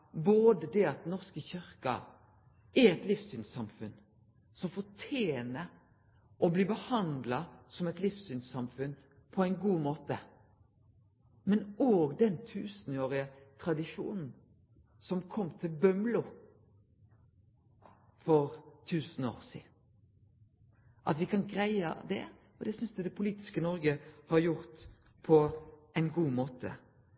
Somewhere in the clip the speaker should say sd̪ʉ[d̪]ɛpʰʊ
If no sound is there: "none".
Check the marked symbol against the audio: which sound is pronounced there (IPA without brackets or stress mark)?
d̪